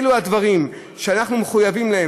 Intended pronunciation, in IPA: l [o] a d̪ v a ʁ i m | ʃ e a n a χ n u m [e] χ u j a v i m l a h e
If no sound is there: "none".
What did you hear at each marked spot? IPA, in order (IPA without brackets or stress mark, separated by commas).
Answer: u, e